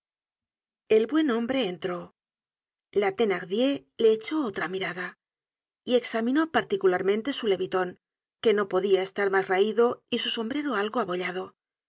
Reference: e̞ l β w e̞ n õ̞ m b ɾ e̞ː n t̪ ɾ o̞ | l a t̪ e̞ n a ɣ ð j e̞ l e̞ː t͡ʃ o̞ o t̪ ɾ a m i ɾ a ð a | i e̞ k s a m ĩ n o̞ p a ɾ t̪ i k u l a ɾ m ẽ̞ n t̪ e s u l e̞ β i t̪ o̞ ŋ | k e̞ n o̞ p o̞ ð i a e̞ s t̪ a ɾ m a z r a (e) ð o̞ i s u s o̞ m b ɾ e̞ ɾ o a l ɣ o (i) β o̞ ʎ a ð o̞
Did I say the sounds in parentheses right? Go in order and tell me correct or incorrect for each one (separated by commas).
incorrect, incorrect